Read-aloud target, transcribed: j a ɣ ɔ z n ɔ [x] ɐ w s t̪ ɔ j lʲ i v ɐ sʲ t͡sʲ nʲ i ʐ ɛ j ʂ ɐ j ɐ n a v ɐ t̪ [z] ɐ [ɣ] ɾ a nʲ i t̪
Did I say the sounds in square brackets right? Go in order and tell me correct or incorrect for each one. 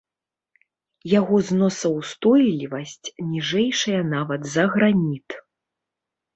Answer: incorrect: s, correct, correct

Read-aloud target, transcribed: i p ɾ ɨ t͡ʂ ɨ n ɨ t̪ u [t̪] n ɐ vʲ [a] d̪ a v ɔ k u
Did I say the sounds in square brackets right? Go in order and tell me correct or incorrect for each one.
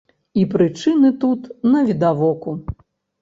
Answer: correct, incorrect: i

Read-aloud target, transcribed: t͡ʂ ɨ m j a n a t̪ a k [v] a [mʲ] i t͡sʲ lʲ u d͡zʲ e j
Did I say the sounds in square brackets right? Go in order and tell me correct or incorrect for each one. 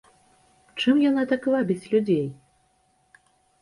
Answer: correct, incorrect: bʲ

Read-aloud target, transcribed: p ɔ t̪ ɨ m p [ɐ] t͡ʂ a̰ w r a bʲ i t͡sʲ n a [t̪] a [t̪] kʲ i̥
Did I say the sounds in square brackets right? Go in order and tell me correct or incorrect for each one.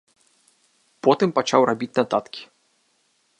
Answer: incorrect: a, correct, correct

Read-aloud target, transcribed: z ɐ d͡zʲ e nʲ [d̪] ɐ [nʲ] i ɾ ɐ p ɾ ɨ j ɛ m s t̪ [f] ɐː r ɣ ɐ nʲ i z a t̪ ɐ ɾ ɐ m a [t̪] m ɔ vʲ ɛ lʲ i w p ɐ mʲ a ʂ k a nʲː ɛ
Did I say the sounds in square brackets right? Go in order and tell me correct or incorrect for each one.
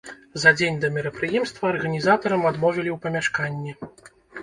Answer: correct, incorrect: mʲ, incorrect: v, incorrect: d̪

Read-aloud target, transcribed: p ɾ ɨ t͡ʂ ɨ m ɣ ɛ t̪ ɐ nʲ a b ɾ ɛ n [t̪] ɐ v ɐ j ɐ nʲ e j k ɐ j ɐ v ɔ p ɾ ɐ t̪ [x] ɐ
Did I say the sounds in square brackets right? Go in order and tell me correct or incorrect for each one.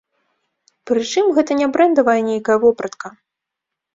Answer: incorrect: d̪, incorrect: k

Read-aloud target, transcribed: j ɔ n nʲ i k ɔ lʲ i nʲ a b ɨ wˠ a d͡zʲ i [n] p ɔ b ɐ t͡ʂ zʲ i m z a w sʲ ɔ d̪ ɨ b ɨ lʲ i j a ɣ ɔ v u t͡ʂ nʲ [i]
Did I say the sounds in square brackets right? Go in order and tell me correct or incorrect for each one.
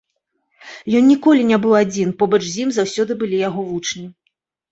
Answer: correct, correct

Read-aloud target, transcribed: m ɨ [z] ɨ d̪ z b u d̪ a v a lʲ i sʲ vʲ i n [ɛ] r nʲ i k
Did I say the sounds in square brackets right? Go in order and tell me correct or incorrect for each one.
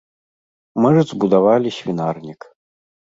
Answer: incorrect: ʐ, incorrect: a

